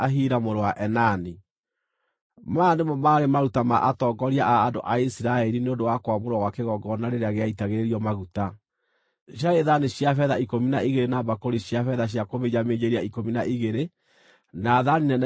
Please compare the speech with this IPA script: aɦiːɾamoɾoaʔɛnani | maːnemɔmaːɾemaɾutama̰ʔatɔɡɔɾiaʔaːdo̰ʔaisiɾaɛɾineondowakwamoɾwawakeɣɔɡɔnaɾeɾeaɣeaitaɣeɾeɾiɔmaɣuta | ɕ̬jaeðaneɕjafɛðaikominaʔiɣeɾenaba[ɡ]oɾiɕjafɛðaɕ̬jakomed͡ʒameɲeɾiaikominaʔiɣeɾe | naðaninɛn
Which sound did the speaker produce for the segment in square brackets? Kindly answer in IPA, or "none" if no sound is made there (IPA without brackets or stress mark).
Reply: k